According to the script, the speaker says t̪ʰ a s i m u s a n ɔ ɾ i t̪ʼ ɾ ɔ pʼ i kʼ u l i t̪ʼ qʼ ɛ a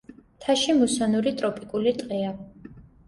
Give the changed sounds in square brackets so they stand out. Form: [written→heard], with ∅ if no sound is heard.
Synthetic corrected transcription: t̪ʰ a [s→ʃ] i m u s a n [ɔ→u] ɾ i t̪ʼ ɾ ɔ pʼ i kʼ u l i t̪ʼ qʼ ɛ a

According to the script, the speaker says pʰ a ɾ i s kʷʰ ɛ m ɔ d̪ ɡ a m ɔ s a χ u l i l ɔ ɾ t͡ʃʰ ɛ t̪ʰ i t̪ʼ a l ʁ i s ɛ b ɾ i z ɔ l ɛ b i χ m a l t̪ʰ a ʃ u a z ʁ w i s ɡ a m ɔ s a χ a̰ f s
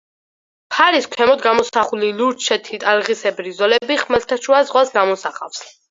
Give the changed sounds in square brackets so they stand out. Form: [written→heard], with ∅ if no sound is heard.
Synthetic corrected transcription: pʰ a ɾ i s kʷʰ ɛ m ɔ d̪ ɡ a m ɔ s a χ u l i l [ɔ→u] ɾ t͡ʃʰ ɛ t̪ʰ i t̪ʼ a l ʁ i s ɛ b ɾ i z ɔ l ɛ b i χ m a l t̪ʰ a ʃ u a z ʁ w [i→a] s ɡ a m ɔ s a χ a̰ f s

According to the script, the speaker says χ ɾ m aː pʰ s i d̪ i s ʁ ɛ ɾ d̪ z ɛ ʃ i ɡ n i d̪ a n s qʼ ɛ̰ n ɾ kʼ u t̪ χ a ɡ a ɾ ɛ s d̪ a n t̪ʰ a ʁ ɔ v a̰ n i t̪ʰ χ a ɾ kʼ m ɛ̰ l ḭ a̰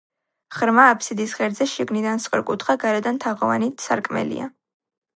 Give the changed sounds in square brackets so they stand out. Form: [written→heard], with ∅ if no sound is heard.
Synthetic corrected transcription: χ ɾ m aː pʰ s i d̪ i s ʁ ɛ ɾ d̪ z ɛ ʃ i ɡ n i d̪ a n s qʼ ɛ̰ [n→∅] ɾ kʼ u t̪ χ a ɡ a ɾ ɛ [s→∅] d̪ a n t̪ʰ a ʁ ɔ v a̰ n i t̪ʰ [χ→s] a ɾ kʼ m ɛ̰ l ḭ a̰

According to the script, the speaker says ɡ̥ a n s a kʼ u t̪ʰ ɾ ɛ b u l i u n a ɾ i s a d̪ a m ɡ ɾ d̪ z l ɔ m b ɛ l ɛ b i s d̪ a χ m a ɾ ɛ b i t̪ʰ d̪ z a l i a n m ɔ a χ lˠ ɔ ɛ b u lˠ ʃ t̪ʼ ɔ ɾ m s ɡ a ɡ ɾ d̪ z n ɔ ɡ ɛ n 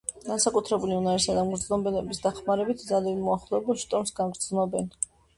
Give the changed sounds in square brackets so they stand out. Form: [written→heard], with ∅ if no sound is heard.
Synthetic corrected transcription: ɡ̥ a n s a kʼ u t̪ʰ ɾ ɛ b u l i u n a ɾ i s a d̪ a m ɡ ɾ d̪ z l ɔ m b ɛ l ɛ b i s d̪ a χ m a ɾ ɛ b i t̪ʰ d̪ z a l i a n m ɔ a χ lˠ ɔ ɛ b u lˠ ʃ t̪ʼ ɔ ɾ m s ɡ a ɡ ɾ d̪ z n ɔ [ɡ→b] ɛ n

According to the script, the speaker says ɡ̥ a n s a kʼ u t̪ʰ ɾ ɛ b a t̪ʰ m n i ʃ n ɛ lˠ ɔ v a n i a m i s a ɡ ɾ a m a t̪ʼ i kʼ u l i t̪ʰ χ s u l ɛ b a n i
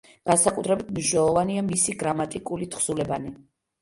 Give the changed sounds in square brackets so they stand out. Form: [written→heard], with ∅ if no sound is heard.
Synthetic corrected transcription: ɡ̥ a n s a kʼ u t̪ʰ ɾ ɛ b [a→i] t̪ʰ m n i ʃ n ɛ lˠ ɔ v a n i a m i s [a→i] ɡ ɾ a m a t̪ʼ i kʼ u l i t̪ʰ χ s u l ɛ b a n i

